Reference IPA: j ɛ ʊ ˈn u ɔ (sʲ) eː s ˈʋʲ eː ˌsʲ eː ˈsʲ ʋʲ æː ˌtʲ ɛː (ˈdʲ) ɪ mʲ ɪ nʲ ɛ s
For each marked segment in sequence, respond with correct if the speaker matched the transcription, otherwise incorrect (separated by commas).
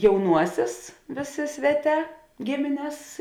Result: correct, incorrect